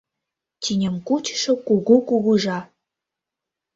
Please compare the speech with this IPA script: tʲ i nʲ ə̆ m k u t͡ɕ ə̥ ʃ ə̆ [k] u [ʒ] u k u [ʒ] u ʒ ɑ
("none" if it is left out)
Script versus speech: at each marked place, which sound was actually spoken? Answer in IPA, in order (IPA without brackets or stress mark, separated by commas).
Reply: k, ɣ, ɣ